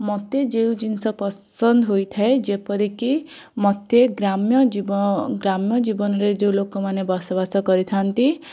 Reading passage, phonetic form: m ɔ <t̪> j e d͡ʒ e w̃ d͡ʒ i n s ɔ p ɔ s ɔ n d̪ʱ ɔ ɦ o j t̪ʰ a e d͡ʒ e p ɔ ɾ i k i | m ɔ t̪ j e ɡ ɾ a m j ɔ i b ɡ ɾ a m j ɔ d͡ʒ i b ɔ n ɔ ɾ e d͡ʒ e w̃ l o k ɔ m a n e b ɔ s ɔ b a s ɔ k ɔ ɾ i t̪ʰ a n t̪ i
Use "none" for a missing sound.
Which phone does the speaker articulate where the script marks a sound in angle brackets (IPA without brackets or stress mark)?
t̪